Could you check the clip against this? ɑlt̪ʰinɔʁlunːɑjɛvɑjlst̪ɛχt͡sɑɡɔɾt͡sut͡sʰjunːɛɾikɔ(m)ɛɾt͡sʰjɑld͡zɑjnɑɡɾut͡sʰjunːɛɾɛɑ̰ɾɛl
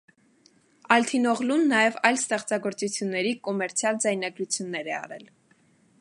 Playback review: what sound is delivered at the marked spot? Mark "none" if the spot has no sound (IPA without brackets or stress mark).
m